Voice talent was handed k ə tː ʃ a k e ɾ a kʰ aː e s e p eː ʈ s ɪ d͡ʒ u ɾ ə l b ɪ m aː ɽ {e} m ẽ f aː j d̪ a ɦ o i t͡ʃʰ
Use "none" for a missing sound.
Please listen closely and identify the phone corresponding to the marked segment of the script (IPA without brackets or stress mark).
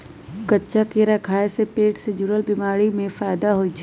i